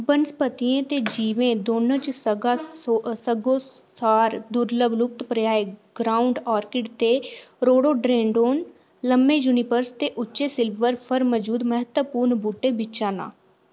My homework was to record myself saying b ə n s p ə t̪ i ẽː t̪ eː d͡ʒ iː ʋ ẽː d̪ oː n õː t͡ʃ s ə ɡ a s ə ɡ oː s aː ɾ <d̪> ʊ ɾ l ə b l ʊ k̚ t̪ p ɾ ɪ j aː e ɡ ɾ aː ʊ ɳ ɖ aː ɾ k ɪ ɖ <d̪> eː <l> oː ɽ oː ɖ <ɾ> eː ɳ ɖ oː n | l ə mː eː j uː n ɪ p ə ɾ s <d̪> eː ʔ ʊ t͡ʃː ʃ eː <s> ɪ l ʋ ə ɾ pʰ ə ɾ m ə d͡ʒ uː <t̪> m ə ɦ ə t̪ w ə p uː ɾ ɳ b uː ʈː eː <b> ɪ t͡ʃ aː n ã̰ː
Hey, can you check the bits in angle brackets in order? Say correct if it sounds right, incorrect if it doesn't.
correct, incorrect, incorrect, correct, incorrect, correct, incorrect, correct

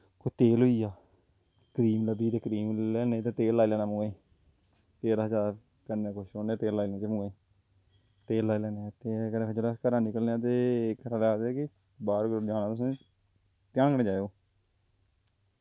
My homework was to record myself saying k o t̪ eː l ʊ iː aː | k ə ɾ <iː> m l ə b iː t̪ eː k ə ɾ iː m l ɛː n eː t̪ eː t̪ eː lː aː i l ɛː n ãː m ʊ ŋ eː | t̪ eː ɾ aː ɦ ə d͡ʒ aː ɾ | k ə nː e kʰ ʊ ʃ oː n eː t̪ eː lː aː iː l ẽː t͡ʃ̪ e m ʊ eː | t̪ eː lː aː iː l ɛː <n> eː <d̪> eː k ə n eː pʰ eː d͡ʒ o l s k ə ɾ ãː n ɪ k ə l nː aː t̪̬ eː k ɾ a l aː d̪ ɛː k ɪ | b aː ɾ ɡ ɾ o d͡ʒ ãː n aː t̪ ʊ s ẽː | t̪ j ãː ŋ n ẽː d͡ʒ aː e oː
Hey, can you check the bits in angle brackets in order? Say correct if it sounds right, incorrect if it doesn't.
correct, correct, incorrect

